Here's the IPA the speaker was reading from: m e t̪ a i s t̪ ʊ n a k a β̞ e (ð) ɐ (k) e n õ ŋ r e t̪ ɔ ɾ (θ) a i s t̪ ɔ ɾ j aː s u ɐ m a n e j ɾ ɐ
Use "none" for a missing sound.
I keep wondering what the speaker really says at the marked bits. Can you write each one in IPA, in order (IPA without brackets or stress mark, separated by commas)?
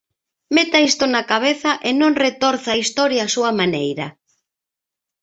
θ, ʔ, θ